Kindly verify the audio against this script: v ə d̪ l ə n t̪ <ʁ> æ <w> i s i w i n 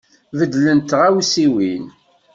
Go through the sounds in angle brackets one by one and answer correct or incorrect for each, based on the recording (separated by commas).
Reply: correct, correct